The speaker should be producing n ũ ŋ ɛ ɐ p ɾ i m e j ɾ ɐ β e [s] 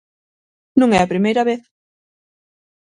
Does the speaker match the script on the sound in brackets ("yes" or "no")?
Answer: no